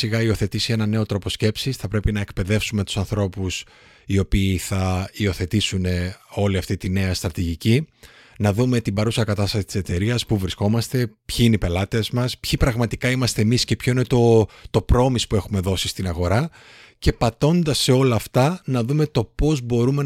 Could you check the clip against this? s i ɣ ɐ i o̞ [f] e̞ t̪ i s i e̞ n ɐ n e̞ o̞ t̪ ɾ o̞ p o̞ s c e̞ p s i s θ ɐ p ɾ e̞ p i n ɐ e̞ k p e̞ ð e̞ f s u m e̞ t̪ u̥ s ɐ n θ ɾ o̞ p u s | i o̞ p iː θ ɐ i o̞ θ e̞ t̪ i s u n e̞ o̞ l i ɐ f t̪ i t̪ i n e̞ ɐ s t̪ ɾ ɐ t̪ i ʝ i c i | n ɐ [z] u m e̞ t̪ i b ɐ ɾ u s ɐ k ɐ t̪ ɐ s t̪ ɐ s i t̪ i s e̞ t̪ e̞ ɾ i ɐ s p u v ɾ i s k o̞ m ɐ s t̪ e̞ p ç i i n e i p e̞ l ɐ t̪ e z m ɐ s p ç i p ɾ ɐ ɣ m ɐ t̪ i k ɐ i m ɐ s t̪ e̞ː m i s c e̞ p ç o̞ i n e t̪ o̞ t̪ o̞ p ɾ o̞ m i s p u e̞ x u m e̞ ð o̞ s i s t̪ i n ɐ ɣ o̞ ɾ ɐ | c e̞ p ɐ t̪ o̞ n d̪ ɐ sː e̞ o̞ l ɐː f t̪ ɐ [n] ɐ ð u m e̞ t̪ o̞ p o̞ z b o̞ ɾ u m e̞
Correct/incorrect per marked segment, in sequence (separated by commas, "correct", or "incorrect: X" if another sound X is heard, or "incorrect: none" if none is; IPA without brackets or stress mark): incorrect: θ, incorrect: ð, correct